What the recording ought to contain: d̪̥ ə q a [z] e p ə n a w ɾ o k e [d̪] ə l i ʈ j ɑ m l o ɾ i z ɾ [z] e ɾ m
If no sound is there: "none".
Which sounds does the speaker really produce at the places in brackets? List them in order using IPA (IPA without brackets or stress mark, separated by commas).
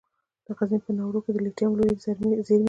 z, d̪, z